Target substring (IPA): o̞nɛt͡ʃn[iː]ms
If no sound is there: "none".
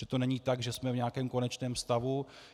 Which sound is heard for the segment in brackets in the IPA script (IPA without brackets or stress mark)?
ɛː